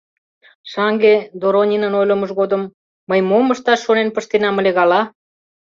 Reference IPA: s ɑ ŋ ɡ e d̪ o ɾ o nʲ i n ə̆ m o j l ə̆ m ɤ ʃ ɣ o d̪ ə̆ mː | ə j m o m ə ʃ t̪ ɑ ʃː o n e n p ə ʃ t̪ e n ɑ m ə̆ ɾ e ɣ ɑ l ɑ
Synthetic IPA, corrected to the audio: ʃ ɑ ŋ ɡ e d̪ o ɾ o nʲ i n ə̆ n o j l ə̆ m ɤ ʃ ɣ o d̪ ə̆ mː | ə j m o m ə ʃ t̪ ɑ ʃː o n e n p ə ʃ t̪ e n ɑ m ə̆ l e ɣ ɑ l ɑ